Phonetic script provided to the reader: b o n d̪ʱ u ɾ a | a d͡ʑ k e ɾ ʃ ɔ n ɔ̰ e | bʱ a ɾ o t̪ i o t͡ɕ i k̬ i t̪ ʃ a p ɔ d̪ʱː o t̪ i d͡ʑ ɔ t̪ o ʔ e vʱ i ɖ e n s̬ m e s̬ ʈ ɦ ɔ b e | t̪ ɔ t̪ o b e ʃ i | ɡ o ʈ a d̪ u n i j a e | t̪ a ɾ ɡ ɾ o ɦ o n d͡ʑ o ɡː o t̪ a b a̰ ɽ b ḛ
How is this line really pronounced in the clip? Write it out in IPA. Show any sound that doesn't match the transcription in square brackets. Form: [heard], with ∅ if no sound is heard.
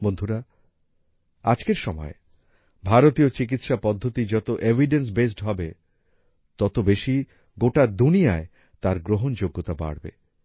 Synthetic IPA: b o n d̪ʱ u ɾ a | a d͡ʑ k e ɾ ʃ ɔ [m] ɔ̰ e | bʱ a ɾ o t̪ i o t͡ɕ i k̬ i t̪ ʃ a p ɔ d̪ʱː o t̪ i d͡ʑ ɔ t̪ o ʔ e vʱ i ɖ e n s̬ [b] e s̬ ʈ ɦ ɔ b e | t̪ ɔ t̪ o b e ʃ i | ɡ o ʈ a d̪ u n i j a e | t̪ a ɾ ɡ ɾ o ɦ o n d͡ʑ o ɡː o t̪ a b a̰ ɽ b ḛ